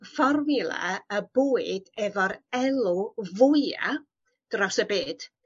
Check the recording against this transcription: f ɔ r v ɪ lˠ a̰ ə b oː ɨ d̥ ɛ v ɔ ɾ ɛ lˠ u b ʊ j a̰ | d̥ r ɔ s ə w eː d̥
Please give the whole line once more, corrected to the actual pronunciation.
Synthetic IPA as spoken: f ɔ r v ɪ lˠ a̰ ə b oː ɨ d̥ ɛ v ɔ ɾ ɛ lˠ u v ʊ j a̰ | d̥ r ɔ s ə b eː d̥

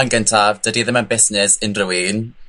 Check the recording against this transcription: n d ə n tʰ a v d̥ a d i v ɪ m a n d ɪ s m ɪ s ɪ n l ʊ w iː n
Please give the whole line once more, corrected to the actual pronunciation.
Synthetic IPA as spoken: n ɡ ə n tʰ a v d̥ ə d i ð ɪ m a n b ɪ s n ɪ s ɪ n r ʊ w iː n

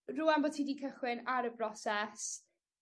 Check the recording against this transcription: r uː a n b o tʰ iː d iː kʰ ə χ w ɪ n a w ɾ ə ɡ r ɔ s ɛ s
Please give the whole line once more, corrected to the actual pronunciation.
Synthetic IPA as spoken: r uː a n b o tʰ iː d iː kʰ ə χ w ɪ n a ɾ ə b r ɔ s ɛ s

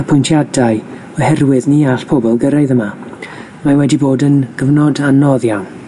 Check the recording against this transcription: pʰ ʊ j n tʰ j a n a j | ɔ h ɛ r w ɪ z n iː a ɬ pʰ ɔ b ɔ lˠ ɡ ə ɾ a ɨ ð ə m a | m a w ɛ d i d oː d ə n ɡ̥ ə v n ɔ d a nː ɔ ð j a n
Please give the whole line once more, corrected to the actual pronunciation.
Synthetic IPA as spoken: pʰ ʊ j n tʰ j a d a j | ɔ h ɛ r w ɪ ð n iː a ɬ pʰ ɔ b ɔ lˠ ɡ ə ɾ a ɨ ð ə m a | m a w ɛ d i b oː d ə n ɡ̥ ə v n ɔ d a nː ɔ ð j a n

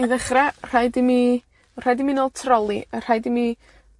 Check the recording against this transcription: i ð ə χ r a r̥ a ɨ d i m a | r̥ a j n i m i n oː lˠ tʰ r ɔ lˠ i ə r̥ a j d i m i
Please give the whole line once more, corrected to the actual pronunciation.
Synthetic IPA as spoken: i ð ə χ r a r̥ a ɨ d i m i | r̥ a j d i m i n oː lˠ tʰ r ɔ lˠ i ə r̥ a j d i m i

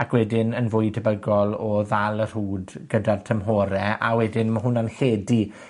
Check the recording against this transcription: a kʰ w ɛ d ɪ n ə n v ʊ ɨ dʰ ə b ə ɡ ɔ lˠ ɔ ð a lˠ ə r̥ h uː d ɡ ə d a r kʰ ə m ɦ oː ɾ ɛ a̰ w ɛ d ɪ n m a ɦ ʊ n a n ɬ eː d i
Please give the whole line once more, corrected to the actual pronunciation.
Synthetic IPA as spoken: a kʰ w ɛ d ɪ n ə n v ʊ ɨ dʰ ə b ə ɡ ɔ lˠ ɔ ð a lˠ ə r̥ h uː d ɡ ə d a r tʰ ə m ɦ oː ɾ ɛ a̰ w ɛ d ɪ n m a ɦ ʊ n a n ɬ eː d i

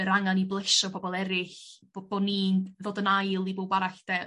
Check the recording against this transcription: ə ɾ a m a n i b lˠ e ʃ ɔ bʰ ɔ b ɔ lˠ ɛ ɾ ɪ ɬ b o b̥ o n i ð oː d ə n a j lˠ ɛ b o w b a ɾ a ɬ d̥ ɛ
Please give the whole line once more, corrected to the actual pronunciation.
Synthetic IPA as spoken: ə ɾ a ŋ a n i b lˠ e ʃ ɔ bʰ ɔ b ɔ lˠ ɛ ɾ ɪ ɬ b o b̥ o n i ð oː d ə n a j lˠ i b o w b a ɾ a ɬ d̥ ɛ

